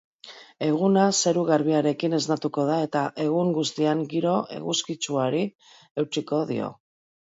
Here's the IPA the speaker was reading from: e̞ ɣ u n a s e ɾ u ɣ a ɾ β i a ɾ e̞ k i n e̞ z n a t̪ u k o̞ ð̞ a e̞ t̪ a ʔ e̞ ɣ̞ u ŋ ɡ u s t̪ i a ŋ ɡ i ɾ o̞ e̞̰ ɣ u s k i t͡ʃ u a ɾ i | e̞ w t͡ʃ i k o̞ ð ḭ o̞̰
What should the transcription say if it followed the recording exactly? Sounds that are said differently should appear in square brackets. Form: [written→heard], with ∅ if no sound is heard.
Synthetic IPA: e̞ ɣ u n a s e ɾ u ɣ a ɾ β i a ɾ e̞ k i n e̞ z n a t̪ u k o̞ ð̞ a e̞ t̪ a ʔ e̞ ɣ̞ u ŋ ɡ u s t̪ i a ŋ ɡ i ɾ o̞ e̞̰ ɣ u s k i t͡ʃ u a ɾ i | e̞ w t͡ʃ i k o̞ ð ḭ o̞̰